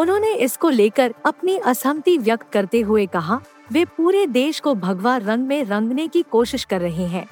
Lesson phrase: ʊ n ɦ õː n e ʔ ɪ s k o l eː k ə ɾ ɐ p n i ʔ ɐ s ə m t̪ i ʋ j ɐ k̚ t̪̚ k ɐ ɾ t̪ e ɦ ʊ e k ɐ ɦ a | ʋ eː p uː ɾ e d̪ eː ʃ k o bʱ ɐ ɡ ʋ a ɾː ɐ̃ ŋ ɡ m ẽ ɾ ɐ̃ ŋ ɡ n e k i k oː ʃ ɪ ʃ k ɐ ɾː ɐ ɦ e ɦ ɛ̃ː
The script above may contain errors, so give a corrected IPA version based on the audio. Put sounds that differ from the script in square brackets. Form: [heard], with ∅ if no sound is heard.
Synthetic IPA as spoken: ʊ n ɦ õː n e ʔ ɪ s k o l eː k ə ɾ ɐ p n i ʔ ɐ s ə m t̪ i ʋ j ɐ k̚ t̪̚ k ɐ ɾ t̪ e ɦ ʊ e k ɐ ɦ a | ʋ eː p uː ɾ e d̪ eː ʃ k o bʱ ɐ ɡ ʋ a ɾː ɐ̃ ŋ ɡ m ẽ ɾ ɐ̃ ŋ ɡ n e k i k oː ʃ ɪ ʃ k ɐ ɾː ɐ ɦ e ɦ ɛ̃ː